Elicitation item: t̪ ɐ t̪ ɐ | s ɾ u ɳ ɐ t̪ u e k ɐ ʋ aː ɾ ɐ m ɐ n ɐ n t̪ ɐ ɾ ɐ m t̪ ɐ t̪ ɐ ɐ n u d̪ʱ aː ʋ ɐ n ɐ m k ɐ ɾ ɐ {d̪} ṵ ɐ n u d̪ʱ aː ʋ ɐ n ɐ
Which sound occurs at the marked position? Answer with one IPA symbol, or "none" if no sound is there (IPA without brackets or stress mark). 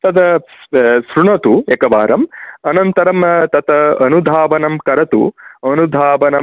t̪